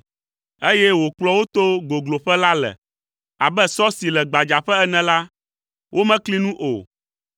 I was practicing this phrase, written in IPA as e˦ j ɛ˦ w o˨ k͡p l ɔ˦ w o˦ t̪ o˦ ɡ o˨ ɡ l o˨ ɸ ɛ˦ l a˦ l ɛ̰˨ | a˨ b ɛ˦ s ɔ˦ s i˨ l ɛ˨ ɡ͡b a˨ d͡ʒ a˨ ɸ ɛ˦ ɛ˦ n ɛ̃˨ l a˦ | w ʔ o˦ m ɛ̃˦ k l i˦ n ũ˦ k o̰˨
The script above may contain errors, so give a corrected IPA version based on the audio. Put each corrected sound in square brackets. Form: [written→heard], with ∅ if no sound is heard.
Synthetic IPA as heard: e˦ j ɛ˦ w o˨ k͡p l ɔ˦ w o˦ t̪ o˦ ɡ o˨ ɡ l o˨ ɸ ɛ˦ l a˦ l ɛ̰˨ | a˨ b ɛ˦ s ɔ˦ s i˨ l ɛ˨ ɡ͡b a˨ d͡ʒ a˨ ɸ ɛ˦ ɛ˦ n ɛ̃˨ l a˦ | w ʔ o˦ m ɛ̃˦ k l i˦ n ũ˦ [k→ʔ] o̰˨

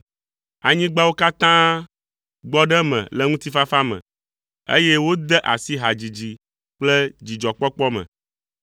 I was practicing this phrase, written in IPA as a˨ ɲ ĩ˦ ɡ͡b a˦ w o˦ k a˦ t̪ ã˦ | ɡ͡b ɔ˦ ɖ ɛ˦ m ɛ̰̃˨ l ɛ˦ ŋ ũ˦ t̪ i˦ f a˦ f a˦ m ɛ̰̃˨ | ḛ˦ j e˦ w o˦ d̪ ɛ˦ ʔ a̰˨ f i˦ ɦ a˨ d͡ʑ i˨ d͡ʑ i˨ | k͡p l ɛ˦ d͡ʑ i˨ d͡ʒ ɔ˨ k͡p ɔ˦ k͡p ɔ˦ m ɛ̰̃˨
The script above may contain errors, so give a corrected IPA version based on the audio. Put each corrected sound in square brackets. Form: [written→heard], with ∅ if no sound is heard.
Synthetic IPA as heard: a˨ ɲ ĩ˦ ɡ͡b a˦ w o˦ k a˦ t̪ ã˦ | ɡ͡b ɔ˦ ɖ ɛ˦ m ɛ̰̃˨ l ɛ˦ ŋ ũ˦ t̪ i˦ f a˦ f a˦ m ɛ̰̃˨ | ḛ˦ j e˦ w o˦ d̪ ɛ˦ ʔ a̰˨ [f→s] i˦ ɦ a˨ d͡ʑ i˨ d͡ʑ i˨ | k͡p l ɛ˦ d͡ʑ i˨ d͡ʒ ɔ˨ k͡p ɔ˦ k͡p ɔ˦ m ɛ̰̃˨

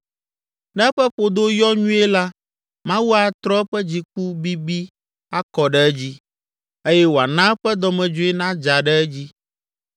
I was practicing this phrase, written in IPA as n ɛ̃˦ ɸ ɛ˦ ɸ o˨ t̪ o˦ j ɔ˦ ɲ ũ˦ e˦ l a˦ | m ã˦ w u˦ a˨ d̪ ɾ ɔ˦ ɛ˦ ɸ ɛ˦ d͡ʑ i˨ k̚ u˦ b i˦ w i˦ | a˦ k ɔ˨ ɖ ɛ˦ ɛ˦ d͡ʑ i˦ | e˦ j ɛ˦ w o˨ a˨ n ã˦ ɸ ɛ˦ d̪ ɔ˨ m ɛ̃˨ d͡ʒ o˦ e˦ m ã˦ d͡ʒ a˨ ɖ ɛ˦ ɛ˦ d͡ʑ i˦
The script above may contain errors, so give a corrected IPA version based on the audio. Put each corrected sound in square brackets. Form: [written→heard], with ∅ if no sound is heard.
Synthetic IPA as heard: n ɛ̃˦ ɸ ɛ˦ ɸ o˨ [t̪→d̪] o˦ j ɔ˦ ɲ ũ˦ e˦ l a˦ | m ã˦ w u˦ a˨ [d̪→t̪] ɾ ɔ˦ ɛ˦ ɸ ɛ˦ d͡ʑ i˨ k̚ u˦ b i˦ [w→b] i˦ | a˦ k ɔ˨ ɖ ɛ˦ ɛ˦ d͡ʑ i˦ | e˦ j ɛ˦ w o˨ a˨ n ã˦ ɸ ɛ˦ d̪ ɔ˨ m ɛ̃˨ d͡ʒ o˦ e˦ [m→n] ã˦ d͡ʒ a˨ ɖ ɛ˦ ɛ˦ d͡ʑ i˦

